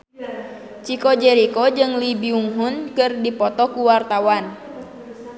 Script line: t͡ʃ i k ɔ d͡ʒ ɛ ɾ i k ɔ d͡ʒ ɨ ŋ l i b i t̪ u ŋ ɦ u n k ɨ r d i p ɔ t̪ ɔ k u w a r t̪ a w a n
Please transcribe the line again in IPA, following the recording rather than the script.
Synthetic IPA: t͡ʃ i k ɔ d͡ʒ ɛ ɾ i k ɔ d͡ʒ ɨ ŋ l i b i u ŋ ɦ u n k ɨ r d i p ɔ t̪ ɔ k u w a r t̪ a w a n